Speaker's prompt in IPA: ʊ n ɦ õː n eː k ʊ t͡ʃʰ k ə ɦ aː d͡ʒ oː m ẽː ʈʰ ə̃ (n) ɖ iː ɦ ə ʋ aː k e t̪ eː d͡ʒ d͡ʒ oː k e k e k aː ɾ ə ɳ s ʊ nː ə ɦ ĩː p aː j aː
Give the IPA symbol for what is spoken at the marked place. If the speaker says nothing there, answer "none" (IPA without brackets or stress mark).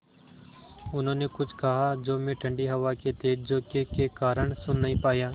ɳ